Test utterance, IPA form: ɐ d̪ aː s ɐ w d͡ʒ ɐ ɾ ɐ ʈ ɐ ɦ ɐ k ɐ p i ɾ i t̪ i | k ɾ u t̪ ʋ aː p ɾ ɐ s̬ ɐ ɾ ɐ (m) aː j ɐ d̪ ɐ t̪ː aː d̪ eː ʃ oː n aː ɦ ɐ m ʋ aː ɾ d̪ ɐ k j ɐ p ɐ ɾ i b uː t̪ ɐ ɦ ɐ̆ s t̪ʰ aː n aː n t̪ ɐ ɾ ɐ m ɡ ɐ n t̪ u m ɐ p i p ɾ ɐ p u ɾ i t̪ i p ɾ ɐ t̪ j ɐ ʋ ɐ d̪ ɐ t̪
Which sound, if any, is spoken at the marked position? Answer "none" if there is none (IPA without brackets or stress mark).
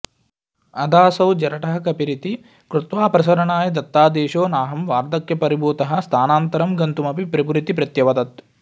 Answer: ɳ